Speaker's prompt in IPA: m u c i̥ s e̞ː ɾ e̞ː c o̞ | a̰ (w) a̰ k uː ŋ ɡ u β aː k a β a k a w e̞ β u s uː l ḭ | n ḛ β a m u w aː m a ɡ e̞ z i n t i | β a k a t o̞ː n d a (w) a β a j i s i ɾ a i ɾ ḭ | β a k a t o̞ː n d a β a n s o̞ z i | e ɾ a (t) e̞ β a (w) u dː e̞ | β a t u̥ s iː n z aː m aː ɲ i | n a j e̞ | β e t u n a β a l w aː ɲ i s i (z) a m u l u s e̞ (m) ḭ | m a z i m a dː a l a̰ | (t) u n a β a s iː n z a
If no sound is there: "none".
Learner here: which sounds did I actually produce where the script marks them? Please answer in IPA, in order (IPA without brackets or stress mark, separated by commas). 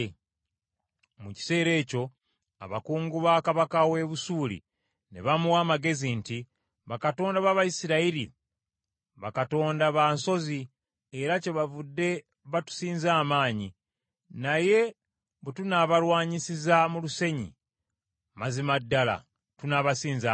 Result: β, β, c, v, z, ɲ, t